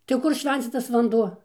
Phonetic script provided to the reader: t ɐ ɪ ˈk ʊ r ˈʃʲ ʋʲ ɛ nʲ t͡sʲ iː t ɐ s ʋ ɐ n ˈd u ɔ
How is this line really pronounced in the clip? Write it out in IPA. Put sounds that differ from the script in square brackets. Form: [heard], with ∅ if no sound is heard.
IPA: t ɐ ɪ ˈk ʊ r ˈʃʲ ʋʲ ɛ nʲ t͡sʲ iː t ɐ s ʋ ɐ n ˈd u ɔ